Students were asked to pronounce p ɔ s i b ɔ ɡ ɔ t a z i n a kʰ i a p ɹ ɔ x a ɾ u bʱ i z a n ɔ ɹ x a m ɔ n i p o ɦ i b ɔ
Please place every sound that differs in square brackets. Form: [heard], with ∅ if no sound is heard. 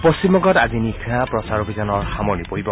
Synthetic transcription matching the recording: p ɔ s i [m] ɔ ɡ ɔ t a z i n [i] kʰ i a p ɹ ɔ [s] a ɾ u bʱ i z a n ɔ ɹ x a m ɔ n i p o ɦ i b ɔ